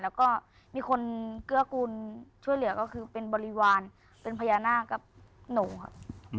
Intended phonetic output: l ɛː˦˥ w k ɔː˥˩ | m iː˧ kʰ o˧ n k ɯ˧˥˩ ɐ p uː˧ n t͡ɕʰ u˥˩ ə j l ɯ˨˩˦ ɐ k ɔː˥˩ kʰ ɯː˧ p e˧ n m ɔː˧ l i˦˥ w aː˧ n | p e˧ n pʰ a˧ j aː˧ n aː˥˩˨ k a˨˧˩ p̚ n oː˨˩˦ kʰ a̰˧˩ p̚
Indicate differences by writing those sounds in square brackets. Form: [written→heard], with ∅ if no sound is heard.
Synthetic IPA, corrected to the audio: l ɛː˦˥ w k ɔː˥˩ | m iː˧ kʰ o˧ n k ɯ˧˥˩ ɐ [p→k] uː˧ n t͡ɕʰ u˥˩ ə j l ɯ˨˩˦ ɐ k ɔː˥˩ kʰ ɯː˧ p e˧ n [m→b] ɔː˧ l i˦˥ w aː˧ n | p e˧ n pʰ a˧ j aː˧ n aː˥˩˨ k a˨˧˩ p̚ n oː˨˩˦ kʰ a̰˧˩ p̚